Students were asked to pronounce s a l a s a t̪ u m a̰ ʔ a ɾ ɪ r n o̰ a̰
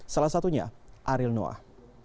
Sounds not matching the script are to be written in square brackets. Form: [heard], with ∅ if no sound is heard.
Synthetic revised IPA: s a l a s a t̪ u [ɲ] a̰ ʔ a ɾ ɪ [l] n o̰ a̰

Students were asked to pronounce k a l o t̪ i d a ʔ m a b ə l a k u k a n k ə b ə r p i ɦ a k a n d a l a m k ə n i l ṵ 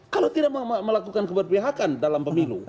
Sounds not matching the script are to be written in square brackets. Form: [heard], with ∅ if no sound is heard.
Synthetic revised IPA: k a l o t̪ i d a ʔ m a [m] ə l a k u k a n k ə b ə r p i ɦ a k a n d a l a m [p] ə [m] i l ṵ

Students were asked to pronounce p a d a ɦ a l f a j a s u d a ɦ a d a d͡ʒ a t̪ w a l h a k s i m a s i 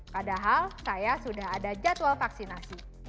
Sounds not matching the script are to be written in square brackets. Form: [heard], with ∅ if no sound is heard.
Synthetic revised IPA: p a d a ɦ a l [s] a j a s u d a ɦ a d a d͡ʒ a t̪ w a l [f] a k s i [n] a s i

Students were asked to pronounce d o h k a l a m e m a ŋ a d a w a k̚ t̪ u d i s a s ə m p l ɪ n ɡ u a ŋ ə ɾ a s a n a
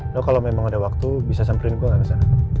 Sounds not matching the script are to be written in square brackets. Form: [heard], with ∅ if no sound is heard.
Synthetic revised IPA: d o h k a l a m e m a ŋ a d a w a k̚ t̪ u [b] i s a s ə m p [ɾ] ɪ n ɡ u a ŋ [a] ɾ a s a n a

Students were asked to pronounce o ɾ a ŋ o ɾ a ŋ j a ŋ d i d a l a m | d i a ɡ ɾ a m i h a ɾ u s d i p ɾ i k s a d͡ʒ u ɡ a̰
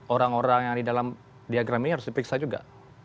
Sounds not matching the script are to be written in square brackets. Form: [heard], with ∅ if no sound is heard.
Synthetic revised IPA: o ɾ a ŋ o ɾ a ŋ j a ŋ d i d a l a m | d i a ɡ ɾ a m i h a ɾ [ʊ] s d i p ɾ i k s a d͡ʒ u ɡ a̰

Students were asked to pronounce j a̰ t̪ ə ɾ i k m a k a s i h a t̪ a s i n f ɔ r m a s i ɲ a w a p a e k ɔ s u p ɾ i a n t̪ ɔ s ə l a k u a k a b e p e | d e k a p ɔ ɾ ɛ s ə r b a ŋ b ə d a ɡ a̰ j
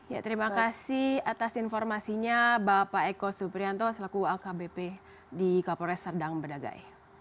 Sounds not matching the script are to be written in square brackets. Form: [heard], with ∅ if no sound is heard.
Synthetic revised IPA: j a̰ t̪ ə ɾ i [∅] m a k a s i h a t̪ a s i n f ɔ r m a s i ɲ a [b] a p a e k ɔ s u p ɾ i a n t̪ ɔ s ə l a k u a k a b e p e | d [i] k a p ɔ ɾ ɛ s ə r [d] a ŋ b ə d a ɡ a̰ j

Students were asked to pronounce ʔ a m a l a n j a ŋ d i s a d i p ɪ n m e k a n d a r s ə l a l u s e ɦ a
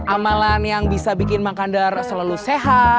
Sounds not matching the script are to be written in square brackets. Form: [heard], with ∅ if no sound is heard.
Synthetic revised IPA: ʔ a m a l a n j a ŋ [b] i s a [b] i [k] ɪ n m [a] k a n d a r s ə l a l u s e ɦ a

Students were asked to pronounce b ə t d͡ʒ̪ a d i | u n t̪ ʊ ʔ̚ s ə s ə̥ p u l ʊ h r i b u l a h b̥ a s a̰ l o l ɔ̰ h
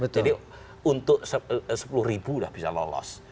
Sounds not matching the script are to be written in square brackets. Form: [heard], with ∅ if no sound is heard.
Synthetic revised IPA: b ə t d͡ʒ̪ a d i | u n t̪ ʊ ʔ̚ s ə s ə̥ p u l ʊ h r i b u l a h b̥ [i] s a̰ l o l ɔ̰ [s]

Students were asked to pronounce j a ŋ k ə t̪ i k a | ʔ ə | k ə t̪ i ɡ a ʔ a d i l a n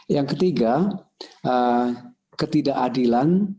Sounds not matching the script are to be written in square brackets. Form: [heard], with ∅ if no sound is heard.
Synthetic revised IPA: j a ŋ k ə t̪ i [ɡ] a | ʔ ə | k ə t̪ i [d] a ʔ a d i l a n

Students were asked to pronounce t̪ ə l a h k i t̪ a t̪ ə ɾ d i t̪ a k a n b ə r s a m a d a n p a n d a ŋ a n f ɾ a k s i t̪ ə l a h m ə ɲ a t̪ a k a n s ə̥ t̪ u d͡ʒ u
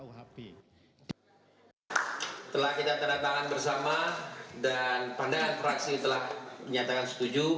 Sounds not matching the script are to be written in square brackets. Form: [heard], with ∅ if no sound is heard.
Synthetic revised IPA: t̪ ə l a h k i t̪ a t̪ ə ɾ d [a] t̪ a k a n b ə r s a m a d a n p a n d a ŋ a n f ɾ a k s i t̪ ə l a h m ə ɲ a t̪ a k a n s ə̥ t̪ u d͡ʒ u

